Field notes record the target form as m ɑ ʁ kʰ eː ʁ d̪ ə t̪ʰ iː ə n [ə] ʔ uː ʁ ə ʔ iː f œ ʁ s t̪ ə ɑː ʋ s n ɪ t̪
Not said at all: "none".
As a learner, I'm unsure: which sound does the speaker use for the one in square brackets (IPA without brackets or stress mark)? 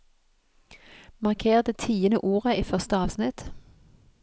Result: ə